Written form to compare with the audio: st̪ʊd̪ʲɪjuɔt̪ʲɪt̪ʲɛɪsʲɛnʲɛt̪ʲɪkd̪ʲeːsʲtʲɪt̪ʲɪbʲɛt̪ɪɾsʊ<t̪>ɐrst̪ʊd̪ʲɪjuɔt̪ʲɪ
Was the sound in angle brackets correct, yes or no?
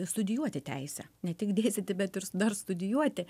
no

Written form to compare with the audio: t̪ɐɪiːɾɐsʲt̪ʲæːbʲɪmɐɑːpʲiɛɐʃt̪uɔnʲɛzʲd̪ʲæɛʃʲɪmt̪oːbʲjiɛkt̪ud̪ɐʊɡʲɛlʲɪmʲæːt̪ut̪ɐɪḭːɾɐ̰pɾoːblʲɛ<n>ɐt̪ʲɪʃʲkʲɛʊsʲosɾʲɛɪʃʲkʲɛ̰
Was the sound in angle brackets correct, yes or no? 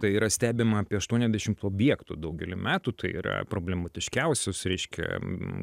no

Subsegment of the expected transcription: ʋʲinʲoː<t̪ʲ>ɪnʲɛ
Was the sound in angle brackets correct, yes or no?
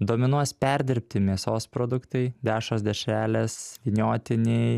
yes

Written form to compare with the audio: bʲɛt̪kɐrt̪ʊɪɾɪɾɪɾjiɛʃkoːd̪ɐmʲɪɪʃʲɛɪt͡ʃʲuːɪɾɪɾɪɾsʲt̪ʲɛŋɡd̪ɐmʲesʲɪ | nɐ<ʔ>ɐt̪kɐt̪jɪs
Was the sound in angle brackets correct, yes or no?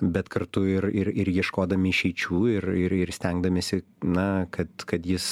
no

